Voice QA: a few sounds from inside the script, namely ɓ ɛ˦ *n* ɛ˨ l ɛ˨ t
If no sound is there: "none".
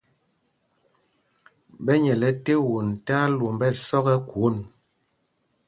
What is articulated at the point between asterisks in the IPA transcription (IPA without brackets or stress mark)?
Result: ɲ